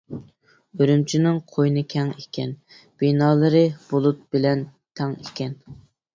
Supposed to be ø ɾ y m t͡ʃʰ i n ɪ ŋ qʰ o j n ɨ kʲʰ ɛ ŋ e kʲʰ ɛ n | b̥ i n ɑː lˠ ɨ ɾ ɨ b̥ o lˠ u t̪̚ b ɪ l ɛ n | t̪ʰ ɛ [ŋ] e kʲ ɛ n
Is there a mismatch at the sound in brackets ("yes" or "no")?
no